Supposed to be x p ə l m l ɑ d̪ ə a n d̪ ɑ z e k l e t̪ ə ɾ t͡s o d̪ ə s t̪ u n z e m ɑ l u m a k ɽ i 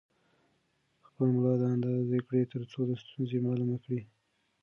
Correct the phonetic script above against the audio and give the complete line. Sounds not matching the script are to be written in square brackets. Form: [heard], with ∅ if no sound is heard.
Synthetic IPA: x p ə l m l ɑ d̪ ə a n d̪ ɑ z e k [ɽ] e t̪ ə ɾ t͡s o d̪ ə s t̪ u n z e m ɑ l u m a k ɽ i

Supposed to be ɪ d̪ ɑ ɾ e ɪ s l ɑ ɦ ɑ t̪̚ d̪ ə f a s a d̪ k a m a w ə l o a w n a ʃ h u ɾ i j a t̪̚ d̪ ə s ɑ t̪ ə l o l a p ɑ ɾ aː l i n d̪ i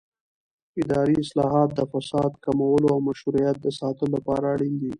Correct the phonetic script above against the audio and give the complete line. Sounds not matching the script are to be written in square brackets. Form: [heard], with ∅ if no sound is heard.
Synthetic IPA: ɪ d̪ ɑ ɾ [i] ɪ s l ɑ ɦ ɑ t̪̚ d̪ ə f a s [ɑ] d̪ k a m a w ə l o a w [m] a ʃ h u ɾ i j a t̪̚ d̪ ə s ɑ t̪ ə l o l a p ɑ ɾ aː [ɽ] i n d̪ i

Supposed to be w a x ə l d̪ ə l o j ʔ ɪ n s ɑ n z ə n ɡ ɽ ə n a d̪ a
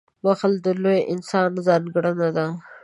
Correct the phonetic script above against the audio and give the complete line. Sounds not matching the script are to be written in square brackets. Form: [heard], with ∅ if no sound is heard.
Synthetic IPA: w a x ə l d̪ ə l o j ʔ ɪ n s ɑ n z [ɑ] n ɡ ɽ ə n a d̪ a

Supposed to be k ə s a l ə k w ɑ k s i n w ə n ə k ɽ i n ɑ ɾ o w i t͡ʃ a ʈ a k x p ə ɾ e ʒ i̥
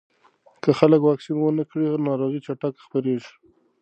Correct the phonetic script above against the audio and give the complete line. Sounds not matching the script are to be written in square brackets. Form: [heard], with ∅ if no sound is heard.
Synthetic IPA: k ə [x] a l ə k w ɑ k s i n w ə n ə k ɽ i n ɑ ɾ o [ɣ] i t͡ʃ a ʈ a k x p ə ɾ e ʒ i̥

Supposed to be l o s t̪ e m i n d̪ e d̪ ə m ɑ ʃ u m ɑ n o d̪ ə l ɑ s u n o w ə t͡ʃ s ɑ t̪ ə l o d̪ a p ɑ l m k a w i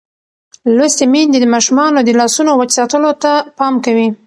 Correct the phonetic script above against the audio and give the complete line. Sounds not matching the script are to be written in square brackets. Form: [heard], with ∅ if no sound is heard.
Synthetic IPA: l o s t̪ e m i n d̪ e d̪ ə m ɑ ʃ u m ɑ n o d̪ ə l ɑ s u n o w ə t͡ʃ s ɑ t̪ ə l o [t̪] a p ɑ [∅] m k a w i

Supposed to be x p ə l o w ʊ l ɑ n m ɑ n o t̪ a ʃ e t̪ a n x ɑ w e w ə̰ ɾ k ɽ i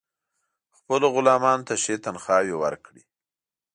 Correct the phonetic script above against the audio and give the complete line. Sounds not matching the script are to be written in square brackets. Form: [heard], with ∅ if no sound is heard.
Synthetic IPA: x p ə l o [ɣ] ʊ l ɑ [∅] m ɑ n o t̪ a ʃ e t̪ a n x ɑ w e w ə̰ ɾ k ɽ i

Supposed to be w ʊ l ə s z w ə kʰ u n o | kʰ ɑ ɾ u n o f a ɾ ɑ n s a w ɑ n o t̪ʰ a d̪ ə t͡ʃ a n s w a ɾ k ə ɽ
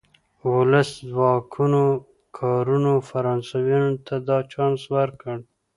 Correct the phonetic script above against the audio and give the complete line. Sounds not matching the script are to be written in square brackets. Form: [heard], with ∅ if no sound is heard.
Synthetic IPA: w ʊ l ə s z w [ɑ] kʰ u n o | kʰ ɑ ɾ u n o f a ɾ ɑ n s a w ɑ n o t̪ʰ a d̪ [ɑ] t͡ʃ [ɑ] n s w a ɾ k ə ɽ

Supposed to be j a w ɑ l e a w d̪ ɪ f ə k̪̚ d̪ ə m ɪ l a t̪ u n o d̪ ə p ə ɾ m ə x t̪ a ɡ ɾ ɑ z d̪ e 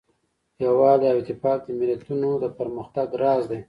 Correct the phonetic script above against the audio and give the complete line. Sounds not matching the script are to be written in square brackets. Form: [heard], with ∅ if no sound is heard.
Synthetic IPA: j a w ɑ l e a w [t̪] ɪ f [ɑ] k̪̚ d̪ ə m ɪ l a t̪ u n o d̪ ə p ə ɾ m ə x t̪ a ɡ ɾ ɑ z d̪ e

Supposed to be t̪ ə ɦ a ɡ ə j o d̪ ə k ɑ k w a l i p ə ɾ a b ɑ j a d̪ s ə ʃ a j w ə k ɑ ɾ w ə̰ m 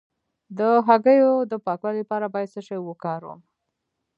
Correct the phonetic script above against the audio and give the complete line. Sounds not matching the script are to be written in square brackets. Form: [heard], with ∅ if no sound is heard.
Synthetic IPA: [d̪] ə ɦ a ɡ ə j o d̪ ə [p] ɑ k w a l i p [ɑ] ɾ a b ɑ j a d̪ s ə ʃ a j w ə k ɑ ɾ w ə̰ m

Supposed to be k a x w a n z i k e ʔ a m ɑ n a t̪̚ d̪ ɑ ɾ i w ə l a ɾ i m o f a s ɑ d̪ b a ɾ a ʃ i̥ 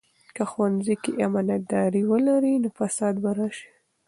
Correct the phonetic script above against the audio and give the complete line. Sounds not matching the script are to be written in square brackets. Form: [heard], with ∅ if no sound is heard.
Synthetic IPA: k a x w a n z i k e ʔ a m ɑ n a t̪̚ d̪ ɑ ɾ i w ə l a ɾ i [n] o f a s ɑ d̪ b a ɾ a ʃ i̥

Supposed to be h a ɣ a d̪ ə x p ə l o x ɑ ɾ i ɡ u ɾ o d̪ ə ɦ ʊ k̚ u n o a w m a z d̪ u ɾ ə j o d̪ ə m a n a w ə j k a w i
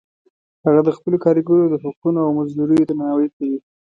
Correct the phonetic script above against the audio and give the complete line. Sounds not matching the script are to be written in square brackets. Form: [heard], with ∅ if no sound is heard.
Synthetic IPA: h a ɣ a d̪ ə x p ə l o [k] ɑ ɾ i ɡ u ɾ o d̪ ə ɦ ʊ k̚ u n o a w m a z d̪ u ɾ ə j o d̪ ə m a n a w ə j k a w i

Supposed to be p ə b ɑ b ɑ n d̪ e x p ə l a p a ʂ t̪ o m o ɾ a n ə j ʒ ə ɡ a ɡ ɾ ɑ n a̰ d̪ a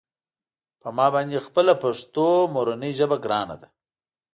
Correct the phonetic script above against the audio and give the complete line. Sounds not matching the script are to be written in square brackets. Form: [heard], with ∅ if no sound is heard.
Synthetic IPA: p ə [m] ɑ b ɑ n d̪ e x p ə l a p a ʂ t̪ o m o ɾ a n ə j ʒ ə [b] a ɡ ɾ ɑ n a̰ d̪ a

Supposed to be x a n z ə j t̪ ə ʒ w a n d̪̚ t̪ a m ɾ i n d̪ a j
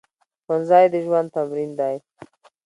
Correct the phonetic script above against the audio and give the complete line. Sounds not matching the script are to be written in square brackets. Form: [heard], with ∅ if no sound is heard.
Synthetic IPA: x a n z [ɑ] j [d̪] ə ʒ w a n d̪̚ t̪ a m ɾ i n d̪ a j

